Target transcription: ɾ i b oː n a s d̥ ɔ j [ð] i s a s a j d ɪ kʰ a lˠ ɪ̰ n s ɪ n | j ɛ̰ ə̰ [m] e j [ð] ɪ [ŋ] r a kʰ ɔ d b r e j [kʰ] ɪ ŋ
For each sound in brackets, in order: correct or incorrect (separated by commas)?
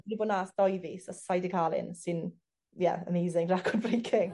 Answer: incorrect, correct, incorrect, correct, correct